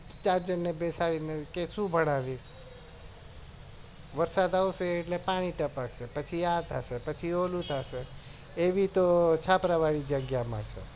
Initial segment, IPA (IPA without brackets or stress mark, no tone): t͡ʃ